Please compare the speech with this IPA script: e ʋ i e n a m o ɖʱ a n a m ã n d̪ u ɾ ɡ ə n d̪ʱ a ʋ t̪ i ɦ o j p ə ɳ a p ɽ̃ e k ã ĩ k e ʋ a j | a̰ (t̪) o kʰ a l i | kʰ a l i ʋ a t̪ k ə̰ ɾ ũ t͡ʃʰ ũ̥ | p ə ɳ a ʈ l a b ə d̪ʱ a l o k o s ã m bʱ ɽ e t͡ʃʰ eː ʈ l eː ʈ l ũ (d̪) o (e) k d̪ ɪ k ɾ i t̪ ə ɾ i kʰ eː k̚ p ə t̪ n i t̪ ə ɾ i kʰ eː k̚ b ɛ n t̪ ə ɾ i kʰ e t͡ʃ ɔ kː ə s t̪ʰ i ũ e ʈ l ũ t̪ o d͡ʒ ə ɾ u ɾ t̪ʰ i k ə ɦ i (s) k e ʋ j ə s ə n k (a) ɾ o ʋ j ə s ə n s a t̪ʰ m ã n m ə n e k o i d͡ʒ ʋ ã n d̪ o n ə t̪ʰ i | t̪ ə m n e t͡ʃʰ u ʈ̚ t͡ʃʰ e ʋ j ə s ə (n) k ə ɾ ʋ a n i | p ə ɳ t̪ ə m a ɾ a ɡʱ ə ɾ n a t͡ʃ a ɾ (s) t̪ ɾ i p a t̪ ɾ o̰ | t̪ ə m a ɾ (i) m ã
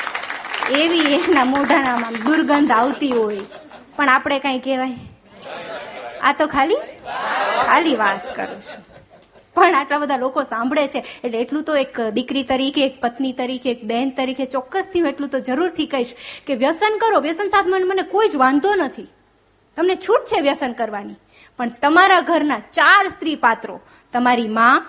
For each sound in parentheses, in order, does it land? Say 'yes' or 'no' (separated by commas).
yes, no, yes, no, no, yes, yes, yes